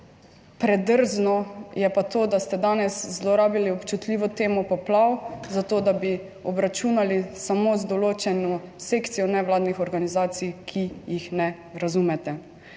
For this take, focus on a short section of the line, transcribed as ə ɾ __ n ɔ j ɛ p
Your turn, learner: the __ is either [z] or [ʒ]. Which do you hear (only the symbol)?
z